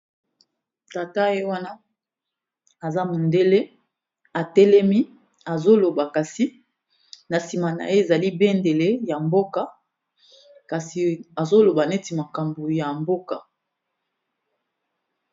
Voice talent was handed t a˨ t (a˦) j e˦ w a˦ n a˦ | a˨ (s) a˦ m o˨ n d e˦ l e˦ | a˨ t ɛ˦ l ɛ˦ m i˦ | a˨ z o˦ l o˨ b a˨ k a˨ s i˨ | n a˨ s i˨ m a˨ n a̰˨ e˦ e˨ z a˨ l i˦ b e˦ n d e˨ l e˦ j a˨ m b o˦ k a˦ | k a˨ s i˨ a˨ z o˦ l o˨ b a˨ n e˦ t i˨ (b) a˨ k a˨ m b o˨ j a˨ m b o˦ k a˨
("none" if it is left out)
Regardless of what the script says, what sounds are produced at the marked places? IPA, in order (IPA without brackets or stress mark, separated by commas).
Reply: a˦, z, m